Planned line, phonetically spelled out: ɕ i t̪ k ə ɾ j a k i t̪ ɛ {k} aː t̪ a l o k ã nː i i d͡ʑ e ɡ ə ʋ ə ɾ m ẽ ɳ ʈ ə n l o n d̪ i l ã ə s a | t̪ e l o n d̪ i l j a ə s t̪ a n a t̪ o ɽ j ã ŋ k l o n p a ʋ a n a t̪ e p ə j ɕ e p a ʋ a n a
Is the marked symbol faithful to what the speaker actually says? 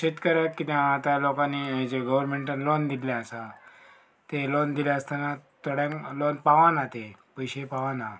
no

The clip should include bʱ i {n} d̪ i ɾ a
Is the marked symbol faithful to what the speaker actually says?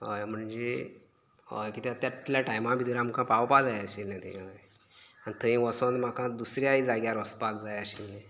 no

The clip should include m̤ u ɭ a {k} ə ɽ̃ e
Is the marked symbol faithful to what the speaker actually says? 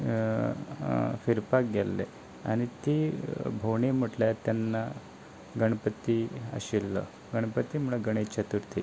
no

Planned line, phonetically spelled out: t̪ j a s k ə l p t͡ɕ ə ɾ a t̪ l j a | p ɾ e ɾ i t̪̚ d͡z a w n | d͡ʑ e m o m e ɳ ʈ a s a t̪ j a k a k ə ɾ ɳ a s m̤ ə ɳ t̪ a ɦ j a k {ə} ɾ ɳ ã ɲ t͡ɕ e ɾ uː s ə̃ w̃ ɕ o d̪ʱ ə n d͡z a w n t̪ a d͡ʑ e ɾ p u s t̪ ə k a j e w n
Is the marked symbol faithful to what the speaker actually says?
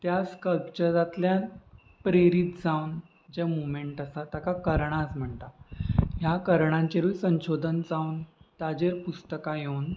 yes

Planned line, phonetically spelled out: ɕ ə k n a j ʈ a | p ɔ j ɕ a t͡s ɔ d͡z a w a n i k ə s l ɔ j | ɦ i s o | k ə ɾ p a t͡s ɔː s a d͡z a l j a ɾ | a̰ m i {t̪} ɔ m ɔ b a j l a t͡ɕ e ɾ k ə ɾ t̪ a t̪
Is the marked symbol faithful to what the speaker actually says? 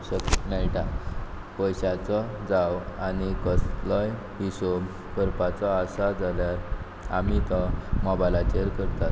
yes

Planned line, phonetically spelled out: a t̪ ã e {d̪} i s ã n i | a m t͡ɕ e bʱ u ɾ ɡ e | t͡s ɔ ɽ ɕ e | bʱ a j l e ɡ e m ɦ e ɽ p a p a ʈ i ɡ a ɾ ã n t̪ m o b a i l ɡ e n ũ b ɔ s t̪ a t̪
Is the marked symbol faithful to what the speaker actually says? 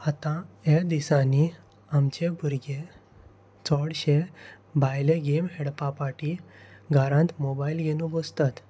yes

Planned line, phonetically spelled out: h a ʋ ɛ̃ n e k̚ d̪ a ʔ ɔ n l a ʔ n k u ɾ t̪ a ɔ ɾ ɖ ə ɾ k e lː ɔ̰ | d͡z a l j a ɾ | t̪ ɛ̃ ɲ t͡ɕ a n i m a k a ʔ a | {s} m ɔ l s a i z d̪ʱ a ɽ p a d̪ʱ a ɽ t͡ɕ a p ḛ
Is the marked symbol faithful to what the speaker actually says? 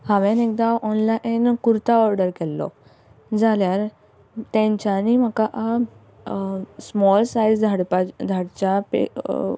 yes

